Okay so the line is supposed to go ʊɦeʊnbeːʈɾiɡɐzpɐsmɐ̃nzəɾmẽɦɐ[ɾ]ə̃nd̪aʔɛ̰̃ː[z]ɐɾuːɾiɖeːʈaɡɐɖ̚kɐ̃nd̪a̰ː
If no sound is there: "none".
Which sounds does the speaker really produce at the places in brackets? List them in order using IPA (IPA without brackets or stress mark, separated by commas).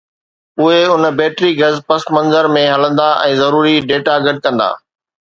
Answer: l, z